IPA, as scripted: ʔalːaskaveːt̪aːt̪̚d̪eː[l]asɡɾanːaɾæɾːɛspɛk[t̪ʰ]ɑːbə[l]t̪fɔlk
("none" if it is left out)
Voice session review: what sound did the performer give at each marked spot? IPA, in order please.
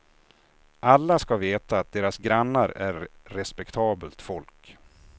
ɾ, t̪ʰ, l

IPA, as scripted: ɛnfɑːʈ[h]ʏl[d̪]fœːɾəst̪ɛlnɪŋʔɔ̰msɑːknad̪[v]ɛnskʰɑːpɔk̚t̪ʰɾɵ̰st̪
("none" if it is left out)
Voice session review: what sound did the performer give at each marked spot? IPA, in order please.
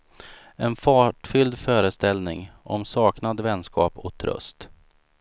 f, d̪, v

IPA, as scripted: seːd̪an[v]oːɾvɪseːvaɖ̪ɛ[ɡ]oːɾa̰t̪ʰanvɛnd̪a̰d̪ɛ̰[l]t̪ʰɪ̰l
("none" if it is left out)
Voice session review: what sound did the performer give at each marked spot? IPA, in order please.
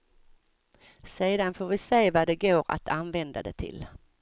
f, ɡ, none

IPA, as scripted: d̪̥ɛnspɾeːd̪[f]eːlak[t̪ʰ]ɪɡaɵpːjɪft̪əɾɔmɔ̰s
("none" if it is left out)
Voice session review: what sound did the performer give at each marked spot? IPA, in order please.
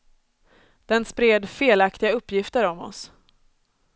f, t̪

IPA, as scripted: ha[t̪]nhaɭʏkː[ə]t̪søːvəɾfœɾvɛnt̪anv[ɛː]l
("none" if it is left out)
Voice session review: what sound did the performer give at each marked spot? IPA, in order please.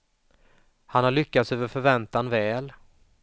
none, a, ɛː

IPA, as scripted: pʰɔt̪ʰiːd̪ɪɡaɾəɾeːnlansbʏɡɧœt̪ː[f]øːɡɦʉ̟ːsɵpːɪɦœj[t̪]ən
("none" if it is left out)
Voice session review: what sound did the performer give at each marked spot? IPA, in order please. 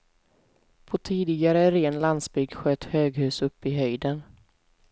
h, d̪

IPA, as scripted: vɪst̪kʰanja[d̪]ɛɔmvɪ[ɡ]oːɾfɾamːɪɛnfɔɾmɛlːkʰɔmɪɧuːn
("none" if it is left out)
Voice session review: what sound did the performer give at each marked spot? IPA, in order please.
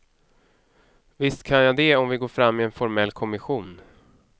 d̪, ɡ

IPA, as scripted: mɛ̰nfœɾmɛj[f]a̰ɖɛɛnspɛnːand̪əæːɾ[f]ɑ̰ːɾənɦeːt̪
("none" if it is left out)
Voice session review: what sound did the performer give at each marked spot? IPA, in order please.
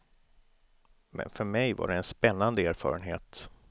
v, f

